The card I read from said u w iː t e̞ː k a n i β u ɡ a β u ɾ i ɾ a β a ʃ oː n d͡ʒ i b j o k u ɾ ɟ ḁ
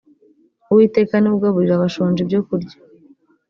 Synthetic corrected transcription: u w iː t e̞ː k a n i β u ɡ a β u ɾ i ɾ a β a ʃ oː n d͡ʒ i b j o k u ɾ ɟ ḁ